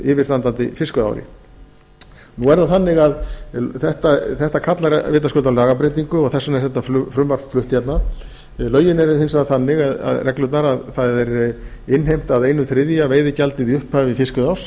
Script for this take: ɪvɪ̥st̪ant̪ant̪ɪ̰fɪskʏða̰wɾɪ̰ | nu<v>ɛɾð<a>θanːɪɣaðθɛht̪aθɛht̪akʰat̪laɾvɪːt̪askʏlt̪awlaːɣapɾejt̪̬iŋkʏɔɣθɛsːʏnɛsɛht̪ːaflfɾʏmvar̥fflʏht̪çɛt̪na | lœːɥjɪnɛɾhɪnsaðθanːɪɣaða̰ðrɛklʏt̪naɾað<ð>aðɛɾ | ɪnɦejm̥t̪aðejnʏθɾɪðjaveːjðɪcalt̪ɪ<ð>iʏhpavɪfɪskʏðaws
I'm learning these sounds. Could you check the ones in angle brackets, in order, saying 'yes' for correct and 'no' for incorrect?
yes, yes, no, yes

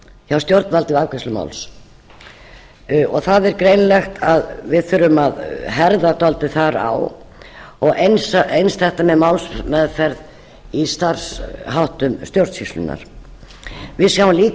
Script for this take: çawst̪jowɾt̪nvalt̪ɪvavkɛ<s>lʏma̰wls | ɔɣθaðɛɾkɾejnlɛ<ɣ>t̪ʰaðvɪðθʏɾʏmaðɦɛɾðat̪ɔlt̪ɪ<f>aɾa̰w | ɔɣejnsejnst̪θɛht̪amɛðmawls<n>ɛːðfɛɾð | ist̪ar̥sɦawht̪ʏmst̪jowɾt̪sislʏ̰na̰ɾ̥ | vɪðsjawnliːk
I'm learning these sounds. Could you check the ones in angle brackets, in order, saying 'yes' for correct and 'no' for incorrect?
yes, no, no, no

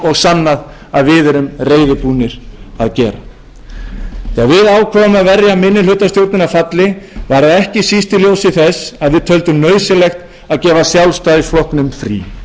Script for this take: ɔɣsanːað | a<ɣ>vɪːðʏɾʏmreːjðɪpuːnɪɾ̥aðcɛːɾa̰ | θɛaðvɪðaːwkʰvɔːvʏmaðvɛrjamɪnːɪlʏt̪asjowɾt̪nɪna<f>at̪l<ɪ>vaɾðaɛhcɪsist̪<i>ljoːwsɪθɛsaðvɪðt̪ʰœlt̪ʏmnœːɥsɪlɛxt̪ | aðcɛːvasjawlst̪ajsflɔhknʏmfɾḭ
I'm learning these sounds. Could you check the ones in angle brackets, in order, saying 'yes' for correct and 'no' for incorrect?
no, yes, yes, no

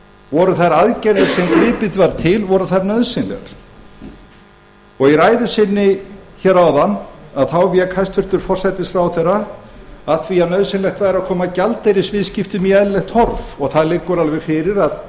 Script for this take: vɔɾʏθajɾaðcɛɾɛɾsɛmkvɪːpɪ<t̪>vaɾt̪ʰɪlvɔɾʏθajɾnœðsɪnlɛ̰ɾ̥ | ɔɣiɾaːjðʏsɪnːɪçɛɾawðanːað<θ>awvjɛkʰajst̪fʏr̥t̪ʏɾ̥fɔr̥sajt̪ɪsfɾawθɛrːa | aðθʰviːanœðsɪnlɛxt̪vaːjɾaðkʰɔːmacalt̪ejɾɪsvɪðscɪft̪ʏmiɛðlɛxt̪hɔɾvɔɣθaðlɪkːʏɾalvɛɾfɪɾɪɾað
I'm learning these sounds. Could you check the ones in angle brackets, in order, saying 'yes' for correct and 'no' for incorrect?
yes, yes

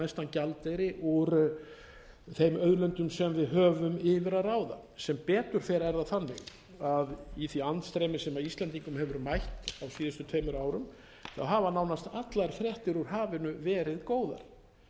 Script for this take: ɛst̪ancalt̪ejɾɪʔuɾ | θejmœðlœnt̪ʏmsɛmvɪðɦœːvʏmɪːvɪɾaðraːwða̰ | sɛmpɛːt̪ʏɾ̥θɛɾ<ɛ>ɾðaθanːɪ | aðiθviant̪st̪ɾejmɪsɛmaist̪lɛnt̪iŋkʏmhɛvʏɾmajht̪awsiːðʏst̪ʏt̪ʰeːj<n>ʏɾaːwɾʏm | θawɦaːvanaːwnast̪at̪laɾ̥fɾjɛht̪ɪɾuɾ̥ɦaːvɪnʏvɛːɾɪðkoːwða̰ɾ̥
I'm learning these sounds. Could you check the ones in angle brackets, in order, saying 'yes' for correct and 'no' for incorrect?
yes, no

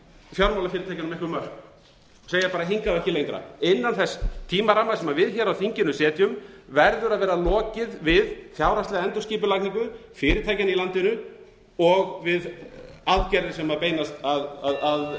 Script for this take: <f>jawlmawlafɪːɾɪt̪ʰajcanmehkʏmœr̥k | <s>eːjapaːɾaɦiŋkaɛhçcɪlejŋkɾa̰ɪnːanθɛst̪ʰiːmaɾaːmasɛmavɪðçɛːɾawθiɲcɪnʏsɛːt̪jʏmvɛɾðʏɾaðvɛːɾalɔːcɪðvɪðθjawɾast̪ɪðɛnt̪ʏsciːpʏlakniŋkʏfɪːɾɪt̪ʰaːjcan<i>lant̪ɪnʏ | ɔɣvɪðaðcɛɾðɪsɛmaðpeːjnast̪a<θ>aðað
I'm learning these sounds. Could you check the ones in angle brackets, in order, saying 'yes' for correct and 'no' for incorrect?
yes, yes, yes, no

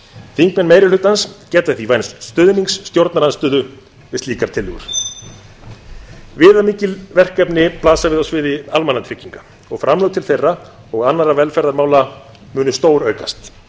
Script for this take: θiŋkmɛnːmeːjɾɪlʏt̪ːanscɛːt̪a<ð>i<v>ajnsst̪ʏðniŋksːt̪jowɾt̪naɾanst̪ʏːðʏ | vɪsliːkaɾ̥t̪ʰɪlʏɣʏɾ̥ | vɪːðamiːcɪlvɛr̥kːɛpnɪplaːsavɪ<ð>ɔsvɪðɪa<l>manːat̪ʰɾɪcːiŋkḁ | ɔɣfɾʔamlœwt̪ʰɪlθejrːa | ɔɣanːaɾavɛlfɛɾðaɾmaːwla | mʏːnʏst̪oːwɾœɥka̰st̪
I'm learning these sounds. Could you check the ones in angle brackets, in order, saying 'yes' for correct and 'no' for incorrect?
no, yes, yes, yes

